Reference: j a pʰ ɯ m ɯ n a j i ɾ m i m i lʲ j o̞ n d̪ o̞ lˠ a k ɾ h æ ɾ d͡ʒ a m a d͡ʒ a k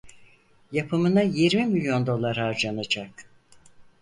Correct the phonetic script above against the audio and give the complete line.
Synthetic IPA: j a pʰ ɯ m ɯ n a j i ɾ m i m i lʲ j o̞ n d̪ o̞ lˠ a ɾ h a ɾ d͡ʒ a n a d͡ʒ a k